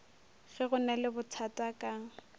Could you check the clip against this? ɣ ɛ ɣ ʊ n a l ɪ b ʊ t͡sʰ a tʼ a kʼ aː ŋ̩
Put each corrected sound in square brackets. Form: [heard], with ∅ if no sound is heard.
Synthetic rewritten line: ɣ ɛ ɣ ʊ n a l ɪ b ʊ t͡sʰ a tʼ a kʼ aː ŋ̩